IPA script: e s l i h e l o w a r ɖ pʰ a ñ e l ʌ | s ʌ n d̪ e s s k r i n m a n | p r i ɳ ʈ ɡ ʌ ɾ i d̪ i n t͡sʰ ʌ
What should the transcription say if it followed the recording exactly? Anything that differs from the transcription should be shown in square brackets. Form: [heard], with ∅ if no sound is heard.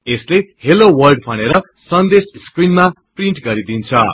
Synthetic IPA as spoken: e s l [e] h e l o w [ʌ] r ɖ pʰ [ʌ] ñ e [ɾ] ʌ | s ʌ n d̪ e s s k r i n m a [∅] | p r i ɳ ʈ ɡ ʌ ɾ i d̪ i n t͡sʰ ʌ